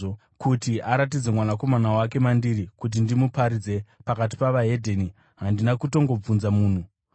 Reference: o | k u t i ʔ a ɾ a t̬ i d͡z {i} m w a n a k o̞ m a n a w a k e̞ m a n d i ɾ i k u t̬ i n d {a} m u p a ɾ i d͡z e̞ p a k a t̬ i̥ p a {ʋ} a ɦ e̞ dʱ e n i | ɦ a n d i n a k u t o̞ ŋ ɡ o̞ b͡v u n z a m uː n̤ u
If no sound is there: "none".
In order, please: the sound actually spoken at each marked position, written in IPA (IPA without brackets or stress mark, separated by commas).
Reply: e, i, ʋ